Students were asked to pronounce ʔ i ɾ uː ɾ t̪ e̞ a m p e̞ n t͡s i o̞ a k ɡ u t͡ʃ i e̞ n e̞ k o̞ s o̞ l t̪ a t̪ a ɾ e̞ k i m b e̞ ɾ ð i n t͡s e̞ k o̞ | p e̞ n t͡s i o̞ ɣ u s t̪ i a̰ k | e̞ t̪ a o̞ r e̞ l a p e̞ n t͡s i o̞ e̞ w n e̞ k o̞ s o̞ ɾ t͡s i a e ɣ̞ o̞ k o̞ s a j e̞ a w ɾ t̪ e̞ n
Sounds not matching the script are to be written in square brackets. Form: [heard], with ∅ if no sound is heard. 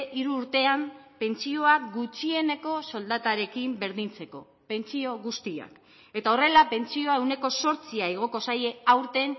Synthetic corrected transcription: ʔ i ɾ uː ɾ t̪ e̞ a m p e̞ n t͡s i o̞ a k ɡ u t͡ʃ i e̞ n e̞ k o̞ s o̞ l [d̪] a t̪ a ɾ e̞ k i m b e̞ ɾ ð i n t͡s e̞ k o̞ | p e̞ n t͡s i o̞ ɣ u s t̪ i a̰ k | e̞ t̪ a o̞ r e̞ l a p e̞ n t͡s i o̞ e̞ w n e̞ k o̞ s o̞ ɾ t͡s i a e ɣ̞ o̞ k o̞ s a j e̞ a w ɾ t̪ e̞ n